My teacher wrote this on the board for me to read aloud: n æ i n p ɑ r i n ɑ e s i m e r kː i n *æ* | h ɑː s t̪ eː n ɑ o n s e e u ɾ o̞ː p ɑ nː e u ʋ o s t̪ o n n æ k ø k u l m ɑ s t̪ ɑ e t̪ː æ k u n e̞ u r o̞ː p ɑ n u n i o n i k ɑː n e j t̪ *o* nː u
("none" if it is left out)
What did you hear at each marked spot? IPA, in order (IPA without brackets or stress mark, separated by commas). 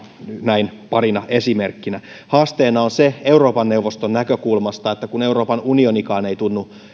æ, u